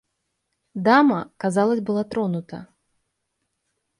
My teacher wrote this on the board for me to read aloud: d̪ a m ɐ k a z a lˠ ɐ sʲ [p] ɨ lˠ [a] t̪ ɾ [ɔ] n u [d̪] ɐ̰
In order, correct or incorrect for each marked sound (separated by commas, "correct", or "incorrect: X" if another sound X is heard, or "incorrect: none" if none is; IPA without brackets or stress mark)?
incorrect: b, correct, correct, incorrect: t̪